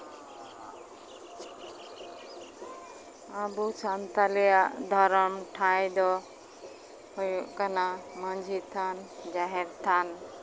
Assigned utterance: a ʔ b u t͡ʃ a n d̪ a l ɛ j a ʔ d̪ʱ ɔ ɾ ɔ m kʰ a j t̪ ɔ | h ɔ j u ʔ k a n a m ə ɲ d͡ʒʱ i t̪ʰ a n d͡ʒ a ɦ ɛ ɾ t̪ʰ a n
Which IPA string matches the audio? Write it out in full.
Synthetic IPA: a b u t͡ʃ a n t̪ a l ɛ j a ʔ d̪ʱ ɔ ɾ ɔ m ʈʰ a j d̪ ɔ | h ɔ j u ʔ k a n a m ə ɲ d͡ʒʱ i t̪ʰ a n d͡ʒ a ɦ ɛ ɾ t̪ʰ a n